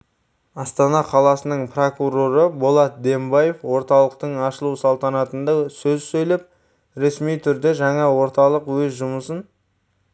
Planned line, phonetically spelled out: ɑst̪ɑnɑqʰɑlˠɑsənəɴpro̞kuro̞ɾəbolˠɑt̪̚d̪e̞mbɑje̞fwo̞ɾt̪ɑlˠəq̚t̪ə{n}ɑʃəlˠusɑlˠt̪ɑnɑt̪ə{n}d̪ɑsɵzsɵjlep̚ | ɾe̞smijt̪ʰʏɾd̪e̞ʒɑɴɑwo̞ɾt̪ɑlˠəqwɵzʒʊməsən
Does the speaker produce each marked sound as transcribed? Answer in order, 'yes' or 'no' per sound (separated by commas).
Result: no, yes